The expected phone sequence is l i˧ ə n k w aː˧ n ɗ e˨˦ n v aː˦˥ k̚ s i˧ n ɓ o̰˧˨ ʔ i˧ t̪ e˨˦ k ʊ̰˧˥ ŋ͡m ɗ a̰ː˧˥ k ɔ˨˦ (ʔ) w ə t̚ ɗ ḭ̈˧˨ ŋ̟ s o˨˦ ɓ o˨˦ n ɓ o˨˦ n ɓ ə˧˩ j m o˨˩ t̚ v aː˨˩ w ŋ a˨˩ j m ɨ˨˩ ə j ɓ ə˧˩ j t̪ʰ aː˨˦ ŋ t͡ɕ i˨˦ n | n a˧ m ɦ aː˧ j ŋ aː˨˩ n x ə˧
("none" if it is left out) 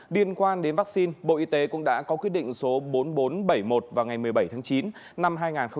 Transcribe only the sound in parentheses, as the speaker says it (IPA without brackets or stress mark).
k